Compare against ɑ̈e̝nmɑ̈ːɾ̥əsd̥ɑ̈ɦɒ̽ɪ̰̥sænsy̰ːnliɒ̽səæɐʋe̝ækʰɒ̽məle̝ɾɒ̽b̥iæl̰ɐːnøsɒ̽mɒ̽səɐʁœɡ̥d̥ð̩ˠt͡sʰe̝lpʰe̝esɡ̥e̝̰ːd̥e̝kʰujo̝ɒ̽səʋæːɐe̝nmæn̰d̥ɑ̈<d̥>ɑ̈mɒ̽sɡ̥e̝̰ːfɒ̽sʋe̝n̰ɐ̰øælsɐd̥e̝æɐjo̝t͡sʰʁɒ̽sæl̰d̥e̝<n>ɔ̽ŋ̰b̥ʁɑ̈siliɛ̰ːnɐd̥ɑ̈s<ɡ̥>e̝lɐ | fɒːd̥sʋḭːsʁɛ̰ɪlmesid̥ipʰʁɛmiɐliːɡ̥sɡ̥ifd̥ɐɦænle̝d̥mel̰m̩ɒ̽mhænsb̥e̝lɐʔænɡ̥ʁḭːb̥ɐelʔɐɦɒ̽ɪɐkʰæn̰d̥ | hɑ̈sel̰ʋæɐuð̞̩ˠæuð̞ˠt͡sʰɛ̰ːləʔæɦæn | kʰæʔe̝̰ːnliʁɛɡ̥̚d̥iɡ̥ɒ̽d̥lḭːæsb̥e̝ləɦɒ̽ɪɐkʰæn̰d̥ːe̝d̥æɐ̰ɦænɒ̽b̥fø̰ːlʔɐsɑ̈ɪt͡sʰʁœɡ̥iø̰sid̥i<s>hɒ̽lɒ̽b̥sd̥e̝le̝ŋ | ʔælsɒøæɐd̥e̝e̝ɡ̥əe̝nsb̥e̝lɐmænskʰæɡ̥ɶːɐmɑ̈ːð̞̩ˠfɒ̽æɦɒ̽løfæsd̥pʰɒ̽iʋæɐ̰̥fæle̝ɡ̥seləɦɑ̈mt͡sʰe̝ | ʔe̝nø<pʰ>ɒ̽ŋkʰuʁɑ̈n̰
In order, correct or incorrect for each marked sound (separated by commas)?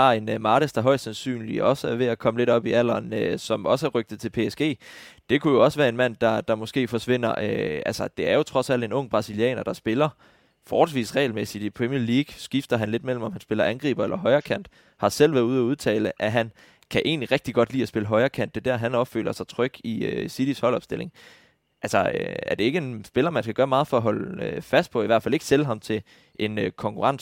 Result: correct, correct, incorrect, correct, incorrect